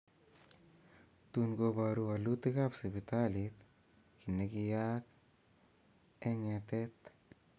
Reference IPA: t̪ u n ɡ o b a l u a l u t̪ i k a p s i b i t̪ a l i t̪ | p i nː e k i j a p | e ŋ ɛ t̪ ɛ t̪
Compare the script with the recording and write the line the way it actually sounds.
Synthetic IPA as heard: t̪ u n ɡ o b a ɾ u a l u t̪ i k a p s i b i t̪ a l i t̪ | k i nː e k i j a k | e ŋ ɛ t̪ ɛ t̪